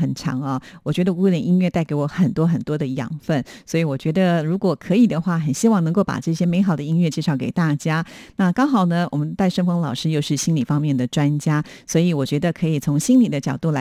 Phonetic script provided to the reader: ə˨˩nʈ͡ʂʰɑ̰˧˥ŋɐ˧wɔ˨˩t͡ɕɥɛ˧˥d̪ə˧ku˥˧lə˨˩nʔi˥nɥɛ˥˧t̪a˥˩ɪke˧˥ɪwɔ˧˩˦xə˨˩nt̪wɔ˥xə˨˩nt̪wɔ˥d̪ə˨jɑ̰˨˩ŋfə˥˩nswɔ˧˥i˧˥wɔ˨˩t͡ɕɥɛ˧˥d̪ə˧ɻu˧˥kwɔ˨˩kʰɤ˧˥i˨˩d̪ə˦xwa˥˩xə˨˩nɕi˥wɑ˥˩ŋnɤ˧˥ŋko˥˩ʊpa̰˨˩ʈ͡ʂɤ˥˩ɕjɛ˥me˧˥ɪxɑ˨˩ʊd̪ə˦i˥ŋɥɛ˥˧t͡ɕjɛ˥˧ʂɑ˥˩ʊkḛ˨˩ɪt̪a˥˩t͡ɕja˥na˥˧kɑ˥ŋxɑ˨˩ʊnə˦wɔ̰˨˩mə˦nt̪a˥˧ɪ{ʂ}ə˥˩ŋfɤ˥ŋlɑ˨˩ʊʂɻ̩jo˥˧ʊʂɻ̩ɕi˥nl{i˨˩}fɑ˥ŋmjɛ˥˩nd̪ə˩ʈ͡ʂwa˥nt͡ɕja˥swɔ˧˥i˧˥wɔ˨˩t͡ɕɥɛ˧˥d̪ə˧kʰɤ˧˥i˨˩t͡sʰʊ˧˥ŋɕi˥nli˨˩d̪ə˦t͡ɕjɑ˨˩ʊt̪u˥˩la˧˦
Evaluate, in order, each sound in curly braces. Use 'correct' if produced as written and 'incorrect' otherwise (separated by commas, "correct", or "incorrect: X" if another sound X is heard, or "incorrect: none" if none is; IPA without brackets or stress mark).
correct, correct